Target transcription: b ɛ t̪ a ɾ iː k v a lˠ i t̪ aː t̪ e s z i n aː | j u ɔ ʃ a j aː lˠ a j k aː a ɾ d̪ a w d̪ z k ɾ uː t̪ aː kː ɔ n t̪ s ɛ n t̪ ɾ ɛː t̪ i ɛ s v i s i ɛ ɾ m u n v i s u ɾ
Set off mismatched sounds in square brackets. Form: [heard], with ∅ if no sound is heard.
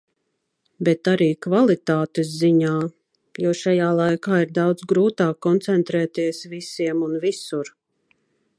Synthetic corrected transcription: b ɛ t̪ a ɾ iː k v a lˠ i t̪ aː t̪ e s z i [ɲ] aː | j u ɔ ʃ a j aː lˠ a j k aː [i] ɾ d̪ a w d̪ z [ɡ] ɾ uː t̪ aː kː ɔ n t̪ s ɛ n t̪ ɾ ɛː t̪ i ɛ s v i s i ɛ [∅] m u n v i s u ɾ